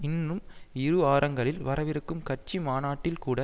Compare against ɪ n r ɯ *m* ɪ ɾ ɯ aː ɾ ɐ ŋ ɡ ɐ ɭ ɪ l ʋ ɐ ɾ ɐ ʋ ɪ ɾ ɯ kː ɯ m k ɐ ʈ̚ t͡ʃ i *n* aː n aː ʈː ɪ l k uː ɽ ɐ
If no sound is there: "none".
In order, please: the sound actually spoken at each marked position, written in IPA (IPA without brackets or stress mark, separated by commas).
m, m